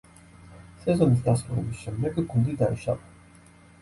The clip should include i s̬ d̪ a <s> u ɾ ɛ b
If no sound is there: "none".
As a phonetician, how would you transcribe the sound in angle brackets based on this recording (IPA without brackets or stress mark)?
s